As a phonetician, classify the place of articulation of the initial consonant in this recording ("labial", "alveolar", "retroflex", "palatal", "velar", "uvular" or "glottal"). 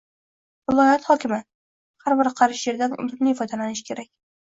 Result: labial